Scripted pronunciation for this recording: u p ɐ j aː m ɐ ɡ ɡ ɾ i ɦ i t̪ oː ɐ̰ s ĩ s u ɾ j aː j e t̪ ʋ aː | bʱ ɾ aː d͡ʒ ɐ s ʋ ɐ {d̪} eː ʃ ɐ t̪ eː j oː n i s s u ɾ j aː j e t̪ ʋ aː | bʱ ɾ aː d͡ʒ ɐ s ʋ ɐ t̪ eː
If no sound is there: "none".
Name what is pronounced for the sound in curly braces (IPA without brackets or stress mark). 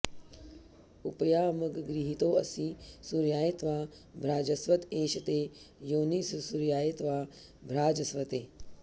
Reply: t̪